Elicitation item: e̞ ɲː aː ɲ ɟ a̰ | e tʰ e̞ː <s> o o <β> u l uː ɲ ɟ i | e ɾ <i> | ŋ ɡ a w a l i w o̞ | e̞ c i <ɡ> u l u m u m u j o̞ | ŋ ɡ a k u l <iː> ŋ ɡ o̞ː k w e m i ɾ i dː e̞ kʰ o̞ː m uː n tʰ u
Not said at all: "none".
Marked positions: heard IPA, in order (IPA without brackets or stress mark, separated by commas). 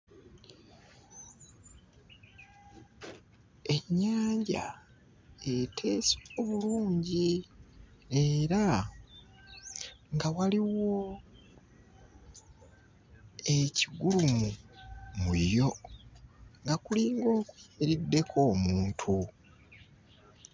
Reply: s, β, a, ɡ, iː